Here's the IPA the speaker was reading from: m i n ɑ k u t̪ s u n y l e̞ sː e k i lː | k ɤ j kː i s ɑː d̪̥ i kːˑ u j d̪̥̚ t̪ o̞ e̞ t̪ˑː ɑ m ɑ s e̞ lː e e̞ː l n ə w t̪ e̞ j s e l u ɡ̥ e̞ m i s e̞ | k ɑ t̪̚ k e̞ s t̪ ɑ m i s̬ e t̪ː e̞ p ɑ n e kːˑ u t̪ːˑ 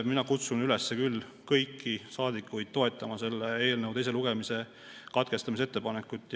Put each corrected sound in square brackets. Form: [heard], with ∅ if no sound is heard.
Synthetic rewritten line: m i n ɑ k u t̪ s u n y l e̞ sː e k [y] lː | k ɤ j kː i s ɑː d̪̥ i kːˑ u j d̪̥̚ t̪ o̞ e̞ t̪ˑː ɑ m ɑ s e̞ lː e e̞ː l n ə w t̪ e̞ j s e l u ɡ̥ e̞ m i s e̞ | k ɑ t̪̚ k e̞ s t̪ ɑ m i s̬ e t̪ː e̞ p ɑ n e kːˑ u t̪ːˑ

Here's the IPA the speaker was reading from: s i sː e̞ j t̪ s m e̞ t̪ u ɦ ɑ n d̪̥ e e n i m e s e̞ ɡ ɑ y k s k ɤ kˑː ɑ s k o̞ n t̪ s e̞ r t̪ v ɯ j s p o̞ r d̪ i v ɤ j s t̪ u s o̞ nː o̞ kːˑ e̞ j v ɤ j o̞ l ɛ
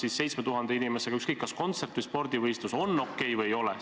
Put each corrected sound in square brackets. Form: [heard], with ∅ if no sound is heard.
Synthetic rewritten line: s i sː e̞ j t̪ s m e̞ t̪ u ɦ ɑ n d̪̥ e [i] n i m e s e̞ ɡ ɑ y k s k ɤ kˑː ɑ s k o̞ n t̪ s e̞ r t̪ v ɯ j s p o̞ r d̪ i v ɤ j s t̪ u s o̞ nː o̞ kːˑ e̞ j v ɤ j o̞ l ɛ

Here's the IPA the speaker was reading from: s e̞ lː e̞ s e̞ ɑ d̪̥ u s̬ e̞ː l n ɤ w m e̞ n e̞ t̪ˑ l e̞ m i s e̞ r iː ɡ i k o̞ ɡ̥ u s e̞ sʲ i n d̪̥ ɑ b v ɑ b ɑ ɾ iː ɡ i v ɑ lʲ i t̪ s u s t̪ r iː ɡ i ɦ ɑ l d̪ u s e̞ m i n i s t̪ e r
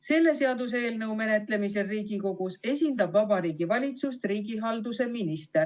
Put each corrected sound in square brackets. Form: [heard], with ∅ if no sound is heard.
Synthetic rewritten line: s e̞ lː e̞ s e̞ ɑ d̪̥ u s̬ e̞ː l n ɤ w m e̞ n e̞ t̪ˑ l e̞ m i s e̞ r iː ɡ i k o̞ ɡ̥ u s e̞ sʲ i n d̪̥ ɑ b v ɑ b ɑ ɾ iː ɡ i v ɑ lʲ i t̪ s u s t̪ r iː ɡ i ɦ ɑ l d̪ u s e̞ m i n i s t̪ e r

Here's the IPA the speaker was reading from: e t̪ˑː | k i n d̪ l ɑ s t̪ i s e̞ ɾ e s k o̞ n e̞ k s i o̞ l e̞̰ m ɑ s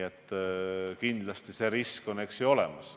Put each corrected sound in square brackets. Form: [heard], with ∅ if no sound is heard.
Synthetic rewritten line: e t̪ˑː | k i n d̪ l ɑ s t̪ i s e̞ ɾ [i] s k o̞ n e̞ k s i o̞ l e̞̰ m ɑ s

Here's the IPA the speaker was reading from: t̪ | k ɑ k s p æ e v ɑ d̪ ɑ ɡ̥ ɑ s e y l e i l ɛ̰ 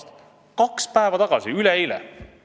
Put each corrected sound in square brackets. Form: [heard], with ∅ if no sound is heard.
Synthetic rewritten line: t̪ | k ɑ k s p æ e v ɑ [t̪] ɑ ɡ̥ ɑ s [i] y l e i l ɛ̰

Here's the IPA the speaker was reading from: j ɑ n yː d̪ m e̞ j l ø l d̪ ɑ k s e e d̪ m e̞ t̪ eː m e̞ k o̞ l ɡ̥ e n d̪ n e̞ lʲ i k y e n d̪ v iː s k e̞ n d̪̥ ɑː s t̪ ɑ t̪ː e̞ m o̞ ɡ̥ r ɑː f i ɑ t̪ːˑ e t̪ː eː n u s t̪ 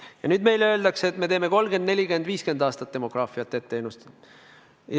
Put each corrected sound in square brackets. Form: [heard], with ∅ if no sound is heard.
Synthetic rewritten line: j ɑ n yː d̪ m e̞ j l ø l d̪ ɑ k s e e [t̪] m e̞ t̪ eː m e̞ k o̞ l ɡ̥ e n d̪ n e̞ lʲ i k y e n d̪ v iː s k e̞ n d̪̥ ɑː s t̪ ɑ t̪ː e̞ m o̞ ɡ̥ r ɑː f i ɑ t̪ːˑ e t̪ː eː n u s t̪

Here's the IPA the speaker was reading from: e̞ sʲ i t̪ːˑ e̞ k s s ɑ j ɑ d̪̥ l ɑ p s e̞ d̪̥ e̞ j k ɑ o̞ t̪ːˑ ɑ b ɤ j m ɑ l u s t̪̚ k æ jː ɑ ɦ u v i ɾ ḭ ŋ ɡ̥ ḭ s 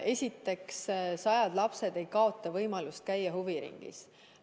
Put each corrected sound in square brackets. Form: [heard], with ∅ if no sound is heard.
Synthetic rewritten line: e̞ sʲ i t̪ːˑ e̞ k s s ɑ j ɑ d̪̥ l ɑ p s e̞ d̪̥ e̞ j k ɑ o̞ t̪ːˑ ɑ [v] ɤ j m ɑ l u s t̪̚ k æ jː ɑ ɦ u v i ɾ ḭ ŋ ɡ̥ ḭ s

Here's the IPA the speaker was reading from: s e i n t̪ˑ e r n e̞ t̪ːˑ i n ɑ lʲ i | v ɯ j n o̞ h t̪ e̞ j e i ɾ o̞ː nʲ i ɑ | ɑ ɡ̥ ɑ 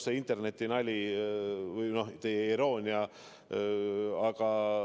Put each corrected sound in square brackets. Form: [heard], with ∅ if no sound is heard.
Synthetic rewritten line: s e i n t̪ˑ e r n e̞ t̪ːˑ i n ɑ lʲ i | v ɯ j n o̞ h t̪ e̞ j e i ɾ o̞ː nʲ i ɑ | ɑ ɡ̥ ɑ

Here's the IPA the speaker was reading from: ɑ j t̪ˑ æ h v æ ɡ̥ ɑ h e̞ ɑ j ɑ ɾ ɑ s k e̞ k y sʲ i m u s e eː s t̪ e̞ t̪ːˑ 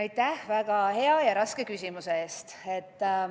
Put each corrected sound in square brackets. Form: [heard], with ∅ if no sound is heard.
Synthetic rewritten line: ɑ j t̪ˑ æ h v æ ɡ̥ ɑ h e̞ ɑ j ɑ ɾ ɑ s k e̞ k y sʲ i m u s e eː s t̪ e̞ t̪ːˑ

